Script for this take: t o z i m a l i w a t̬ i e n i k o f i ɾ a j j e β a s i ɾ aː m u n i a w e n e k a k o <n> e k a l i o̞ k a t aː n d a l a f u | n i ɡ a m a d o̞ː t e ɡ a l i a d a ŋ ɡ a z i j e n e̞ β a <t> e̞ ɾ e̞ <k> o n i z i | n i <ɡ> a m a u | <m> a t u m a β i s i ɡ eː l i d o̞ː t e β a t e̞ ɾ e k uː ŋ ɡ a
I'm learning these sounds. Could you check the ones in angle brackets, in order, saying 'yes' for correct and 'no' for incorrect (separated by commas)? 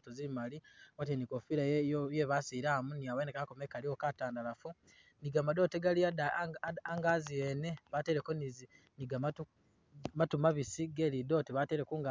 no, yes, yes, yes, yes